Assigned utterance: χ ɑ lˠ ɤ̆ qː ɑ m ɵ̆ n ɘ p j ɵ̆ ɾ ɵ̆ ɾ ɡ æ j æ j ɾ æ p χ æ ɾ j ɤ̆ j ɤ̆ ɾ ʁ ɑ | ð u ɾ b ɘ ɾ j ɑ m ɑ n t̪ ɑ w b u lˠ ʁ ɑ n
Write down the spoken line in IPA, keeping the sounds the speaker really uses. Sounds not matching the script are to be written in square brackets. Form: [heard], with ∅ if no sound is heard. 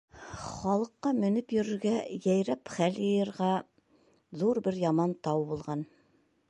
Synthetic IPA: χ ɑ lˠ ɤ̆ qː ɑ m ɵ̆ n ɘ p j ɵ̆ ɾ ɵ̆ ɾ ɡ æ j æ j ɾ æ p χ æ [l] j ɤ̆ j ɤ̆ ɾ ʁ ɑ | ð u ɾ b ɘ ɾ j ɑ m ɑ n t̪ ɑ w b u lˠ ʁ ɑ n